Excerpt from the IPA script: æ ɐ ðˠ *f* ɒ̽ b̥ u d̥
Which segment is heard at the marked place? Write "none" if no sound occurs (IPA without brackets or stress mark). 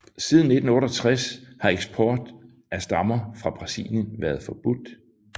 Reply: f